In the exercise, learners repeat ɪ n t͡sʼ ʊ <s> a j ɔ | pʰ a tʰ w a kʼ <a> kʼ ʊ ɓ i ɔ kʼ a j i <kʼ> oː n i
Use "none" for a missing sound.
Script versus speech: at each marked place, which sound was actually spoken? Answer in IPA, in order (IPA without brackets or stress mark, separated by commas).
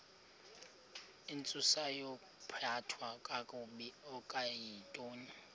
s, a, tʼ